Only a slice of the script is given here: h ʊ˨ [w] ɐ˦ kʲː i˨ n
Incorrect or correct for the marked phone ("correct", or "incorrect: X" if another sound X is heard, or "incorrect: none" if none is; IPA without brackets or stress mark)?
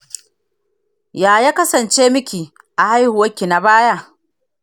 correct